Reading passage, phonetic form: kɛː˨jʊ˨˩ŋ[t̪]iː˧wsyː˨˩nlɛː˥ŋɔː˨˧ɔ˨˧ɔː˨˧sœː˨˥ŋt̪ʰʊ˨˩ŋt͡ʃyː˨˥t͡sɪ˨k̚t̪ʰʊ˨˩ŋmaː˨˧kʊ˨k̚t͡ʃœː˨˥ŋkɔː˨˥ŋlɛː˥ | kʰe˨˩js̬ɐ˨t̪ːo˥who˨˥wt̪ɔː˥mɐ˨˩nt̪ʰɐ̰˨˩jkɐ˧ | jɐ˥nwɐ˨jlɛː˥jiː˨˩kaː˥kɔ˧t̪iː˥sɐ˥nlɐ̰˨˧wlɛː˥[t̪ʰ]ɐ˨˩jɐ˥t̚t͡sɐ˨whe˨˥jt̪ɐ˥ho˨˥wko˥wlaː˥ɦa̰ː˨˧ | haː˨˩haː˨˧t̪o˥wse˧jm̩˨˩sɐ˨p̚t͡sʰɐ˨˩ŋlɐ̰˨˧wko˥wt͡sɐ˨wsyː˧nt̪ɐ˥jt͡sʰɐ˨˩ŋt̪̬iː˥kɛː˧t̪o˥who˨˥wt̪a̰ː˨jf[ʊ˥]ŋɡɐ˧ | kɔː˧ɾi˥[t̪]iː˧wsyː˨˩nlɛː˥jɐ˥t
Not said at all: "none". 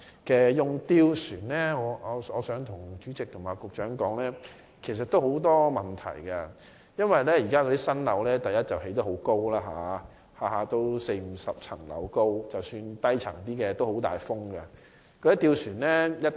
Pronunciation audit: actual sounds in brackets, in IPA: t̪, t̪, ʊ˥, t̪

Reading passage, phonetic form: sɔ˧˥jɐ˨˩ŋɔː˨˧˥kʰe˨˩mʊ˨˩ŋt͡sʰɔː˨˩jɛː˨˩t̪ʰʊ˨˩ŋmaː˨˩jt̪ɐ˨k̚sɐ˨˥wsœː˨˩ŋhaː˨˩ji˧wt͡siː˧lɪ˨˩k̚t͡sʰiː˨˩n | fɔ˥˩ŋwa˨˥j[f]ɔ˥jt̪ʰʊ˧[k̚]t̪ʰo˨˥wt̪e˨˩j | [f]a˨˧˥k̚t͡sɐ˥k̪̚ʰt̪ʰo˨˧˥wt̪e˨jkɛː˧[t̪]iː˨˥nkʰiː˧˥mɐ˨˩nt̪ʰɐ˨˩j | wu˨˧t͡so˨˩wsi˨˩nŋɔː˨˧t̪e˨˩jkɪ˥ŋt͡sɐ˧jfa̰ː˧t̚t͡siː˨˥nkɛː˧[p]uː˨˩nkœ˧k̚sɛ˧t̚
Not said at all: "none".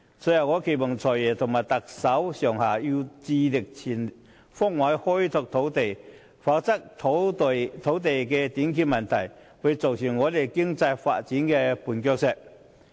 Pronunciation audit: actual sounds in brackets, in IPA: h, k̚, f, t̪, p

